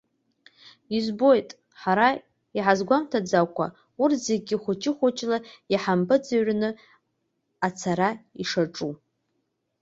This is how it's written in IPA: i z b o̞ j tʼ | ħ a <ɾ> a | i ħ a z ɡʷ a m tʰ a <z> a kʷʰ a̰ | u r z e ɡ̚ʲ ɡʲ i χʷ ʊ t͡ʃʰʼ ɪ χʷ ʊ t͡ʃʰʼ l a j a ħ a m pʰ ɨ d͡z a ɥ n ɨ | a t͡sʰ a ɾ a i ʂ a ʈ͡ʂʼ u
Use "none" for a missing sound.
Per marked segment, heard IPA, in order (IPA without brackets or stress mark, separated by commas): ɾ, d͡z